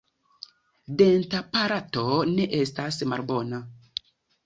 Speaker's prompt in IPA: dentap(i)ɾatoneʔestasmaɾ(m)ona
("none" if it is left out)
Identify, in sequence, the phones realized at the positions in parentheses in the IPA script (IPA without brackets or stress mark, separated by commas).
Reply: a, b